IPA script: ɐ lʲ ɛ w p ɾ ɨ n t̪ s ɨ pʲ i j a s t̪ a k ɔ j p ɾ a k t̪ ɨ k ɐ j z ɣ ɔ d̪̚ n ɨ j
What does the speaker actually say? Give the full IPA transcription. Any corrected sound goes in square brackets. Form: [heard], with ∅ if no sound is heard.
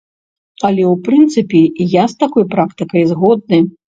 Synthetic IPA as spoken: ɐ lʲ ɛ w p ɾ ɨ n t̪ s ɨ pʲ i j a s t̪ a k ɔ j p ɾ a k t̪ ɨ k ɐ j z ɣ ɔ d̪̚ n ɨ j